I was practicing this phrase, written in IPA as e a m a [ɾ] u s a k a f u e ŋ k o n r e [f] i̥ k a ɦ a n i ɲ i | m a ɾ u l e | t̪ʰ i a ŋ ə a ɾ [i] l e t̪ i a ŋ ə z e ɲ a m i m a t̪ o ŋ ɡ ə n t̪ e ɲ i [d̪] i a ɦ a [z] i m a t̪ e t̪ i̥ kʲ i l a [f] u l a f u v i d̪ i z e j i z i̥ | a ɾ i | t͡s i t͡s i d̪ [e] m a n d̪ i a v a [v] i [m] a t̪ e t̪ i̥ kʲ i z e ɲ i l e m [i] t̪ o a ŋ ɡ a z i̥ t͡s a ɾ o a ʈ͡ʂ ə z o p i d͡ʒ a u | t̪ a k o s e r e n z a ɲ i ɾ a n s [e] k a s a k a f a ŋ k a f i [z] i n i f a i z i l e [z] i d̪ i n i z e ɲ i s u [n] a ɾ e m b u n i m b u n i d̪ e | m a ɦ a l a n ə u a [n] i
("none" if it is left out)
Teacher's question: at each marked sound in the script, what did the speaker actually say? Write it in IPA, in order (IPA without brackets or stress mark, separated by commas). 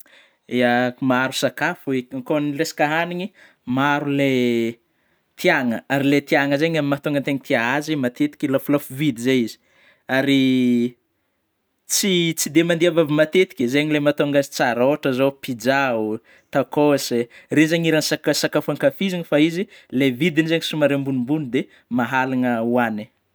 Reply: ɾ, s, i, t̪, z, f, e, v, m, a, a, z, v, m, n